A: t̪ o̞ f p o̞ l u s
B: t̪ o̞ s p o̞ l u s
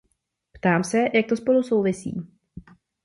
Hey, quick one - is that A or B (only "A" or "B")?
B